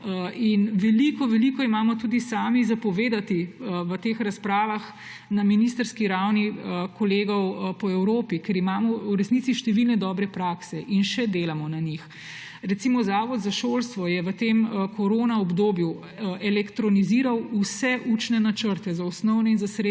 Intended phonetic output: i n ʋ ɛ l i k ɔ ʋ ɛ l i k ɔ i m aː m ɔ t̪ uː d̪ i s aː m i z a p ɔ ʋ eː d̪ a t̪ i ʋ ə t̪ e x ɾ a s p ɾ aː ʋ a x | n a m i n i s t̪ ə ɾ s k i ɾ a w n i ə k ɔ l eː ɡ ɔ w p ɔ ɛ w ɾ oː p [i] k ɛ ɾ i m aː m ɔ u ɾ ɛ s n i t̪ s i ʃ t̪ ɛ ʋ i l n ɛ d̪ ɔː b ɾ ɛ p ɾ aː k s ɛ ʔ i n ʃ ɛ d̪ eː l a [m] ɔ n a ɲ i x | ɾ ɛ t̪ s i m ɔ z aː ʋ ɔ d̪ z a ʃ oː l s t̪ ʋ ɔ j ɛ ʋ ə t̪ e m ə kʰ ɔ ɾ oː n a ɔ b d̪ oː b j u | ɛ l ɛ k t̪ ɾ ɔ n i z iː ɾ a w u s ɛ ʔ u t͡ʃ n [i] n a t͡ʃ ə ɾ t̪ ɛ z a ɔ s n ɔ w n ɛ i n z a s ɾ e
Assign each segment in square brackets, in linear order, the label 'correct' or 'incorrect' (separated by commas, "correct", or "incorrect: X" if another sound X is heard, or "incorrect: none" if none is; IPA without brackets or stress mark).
correct, correct, incorrect: ɛ